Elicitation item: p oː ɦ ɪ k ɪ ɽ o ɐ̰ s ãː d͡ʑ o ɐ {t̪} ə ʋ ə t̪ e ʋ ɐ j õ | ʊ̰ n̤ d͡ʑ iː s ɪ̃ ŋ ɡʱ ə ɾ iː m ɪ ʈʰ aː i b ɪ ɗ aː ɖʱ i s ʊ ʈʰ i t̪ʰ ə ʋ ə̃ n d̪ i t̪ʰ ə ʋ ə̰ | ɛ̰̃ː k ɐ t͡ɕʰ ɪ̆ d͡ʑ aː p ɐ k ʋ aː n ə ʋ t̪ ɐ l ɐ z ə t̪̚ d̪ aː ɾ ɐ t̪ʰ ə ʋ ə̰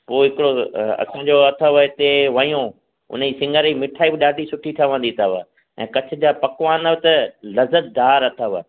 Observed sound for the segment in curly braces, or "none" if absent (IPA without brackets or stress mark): t̪ʰ